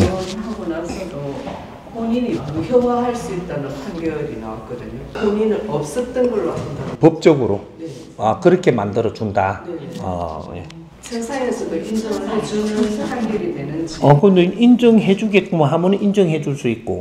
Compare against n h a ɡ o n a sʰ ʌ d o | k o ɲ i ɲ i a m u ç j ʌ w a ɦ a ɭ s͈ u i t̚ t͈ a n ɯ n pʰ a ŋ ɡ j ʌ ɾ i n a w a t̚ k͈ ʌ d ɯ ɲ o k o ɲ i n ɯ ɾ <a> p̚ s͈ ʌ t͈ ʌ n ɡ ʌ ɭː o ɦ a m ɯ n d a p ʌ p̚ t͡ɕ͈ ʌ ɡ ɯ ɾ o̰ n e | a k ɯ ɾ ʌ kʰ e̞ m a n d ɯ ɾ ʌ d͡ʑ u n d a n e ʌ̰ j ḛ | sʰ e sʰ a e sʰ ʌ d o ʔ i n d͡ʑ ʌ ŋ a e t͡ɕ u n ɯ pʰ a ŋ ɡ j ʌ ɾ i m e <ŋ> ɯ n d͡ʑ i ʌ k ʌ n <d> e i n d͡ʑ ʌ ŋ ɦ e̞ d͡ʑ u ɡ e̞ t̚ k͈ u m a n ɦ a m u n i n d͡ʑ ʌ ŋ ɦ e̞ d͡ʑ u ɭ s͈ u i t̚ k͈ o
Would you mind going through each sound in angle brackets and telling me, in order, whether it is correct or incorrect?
incorrect: ʌ, incorrect: n, correct

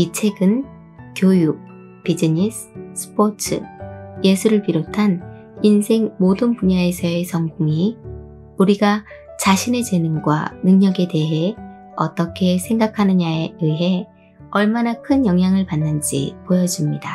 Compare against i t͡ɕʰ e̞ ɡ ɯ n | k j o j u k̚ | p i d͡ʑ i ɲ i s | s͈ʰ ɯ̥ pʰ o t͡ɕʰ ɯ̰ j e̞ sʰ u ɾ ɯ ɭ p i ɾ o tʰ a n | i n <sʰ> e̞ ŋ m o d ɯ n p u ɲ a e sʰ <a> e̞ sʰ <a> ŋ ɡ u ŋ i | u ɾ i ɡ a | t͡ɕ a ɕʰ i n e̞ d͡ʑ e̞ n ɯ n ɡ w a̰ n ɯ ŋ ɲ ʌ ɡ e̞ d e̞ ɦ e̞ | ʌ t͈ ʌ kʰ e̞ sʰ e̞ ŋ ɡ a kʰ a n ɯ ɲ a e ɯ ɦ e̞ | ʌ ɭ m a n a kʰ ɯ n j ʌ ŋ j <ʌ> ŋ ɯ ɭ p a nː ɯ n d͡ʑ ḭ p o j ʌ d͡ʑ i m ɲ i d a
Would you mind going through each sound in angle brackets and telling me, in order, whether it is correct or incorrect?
correct, incorrect: ʌ, incorrect: ʌ, incorrect: a

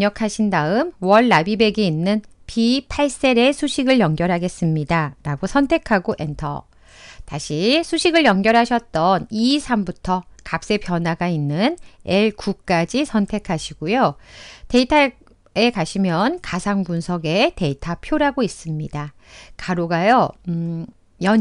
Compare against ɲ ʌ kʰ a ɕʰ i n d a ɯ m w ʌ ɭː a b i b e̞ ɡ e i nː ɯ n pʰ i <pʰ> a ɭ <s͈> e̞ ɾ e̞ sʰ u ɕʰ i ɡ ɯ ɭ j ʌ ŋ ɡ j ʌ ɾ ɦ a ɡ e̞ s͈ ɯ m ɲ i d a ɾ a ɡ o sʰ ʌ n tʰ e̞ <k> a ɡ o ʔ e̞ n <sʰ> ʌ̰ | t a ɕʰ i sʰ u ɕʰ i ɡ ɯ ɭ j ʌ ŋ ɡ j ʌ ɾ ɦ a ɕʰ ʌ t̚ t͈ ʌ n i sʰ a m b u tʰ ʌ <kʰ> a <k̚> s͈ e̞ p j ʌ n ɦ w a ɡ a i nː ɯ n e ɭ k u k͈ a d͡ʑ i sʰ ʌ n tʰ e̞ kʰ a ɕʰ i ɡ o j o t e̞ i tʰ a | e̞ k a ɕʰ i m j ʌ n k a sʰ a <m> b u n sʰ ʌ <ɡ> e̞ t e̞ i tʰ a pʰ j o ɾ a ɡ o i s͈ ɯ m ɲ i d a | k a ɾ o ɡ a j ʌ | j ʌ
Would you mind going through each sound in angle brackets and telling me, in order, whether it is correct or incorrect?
correct, correct, incorrect: kʰ, incorrect: tʰ, incorrect: k, incorrect: p̚, incorrect: ŋ, correct

